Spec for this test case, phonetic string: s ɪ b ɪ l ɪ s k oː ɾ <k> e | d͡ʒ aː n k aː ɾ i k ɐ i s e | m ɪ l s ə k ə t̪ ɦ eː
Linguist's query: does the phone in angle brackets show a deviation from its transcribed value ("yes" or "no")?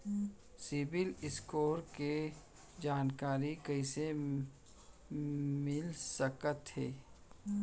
no